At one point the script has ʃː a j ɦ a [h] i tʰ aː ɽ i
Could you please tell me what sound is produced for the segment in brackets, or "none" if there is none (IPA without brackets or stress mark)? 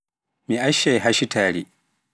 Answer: ʃ